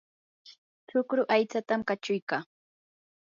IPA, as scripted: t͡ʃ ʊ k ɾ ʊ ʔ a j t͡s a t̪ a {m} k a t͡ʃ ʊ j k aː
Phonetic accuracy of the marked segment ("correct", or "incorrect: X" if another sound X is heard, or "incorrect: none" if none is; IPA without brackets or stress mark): correct